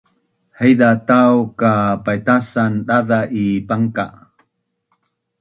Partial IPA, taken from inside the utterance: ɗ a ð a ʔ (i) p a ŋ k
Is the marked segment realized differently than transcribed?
no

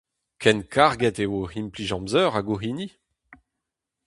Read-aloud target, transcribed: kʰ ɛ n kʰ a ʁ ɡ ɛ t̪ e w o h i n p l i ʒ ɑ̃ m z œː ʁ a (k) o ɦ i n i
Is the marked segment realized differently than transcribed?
yes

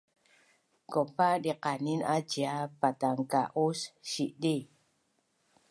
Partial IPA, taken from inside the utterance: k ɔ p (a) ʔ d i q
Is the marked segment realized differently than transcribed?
no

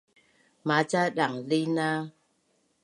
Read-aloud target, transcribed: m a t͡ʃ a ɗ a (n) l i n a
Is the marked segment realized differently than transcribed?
yes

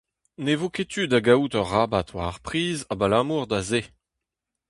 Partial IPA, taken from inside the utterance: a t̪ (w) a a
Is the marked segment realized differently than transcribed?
no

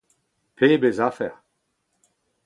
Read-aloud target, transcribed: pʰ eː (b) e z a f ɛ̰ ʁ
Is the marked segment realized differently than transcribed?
no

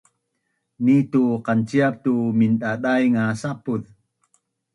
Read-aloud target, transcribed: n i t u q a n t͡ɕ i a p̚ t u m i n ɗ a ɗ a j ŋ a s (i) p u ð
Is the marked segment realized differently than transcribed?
yes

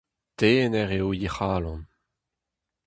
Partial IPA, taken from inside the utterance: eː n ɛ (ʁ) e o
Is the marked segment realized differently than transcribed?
no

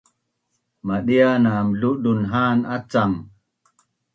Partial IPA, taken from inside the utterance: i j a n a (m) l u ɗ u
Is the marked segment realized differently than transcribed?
no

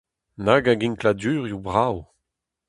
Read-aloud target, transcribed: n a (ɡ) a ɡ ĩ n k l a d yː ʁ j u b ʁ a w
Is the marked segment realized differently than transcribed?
no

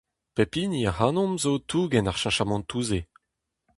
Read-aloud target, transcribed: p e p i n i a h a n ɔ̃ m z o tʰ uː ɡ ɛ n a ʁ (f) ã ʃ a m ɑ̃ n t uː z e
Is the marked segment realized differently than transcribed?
yes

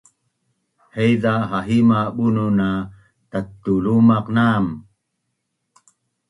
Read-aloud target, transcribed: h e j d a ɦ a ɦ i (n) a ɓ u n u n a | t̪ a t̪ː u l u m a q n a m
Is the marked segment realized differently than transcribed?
yes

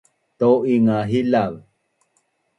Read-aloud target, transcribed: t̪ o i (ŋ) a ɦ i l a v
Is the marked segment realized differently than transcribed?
no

